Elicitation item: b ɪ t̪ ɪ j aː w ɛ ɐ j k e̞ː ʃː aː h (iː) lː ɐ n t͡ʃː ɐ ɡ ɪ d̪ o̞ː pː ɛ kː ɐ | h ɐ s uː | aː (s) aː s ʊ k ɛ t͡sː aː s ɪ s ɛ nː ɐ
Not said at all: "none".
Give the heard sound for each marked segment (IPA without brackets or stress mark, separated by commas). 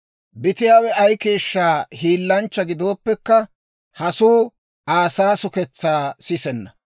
iː, s